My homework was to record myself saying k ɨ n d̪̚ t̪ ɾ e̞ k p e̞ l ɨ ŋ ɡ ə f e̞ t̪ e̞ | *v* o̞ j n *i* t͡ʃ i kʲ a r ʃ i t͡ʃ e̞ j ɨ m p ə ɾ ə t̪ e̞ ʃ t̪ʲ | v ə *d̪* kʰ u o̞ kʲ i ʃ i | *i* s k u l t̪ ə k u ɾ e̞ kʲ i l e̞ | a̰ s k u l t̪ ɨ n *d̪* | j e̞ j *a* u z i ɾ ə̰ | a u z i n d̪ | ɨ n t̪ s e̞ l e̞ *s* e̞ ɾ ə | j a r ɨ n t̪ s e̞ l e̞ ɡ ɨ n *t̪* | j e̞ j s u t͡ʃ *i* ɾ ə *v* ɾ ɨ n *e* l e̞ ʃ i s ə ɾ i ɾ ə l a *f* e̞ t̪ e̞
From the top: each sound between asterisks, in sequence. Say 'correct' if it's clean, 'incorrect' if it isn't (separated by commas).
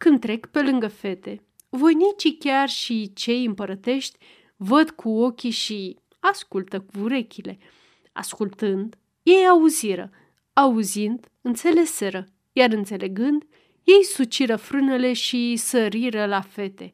correct, correct, correct, incorrect, correct, correct, correct, incorrect, correct, incorrect, correct, correct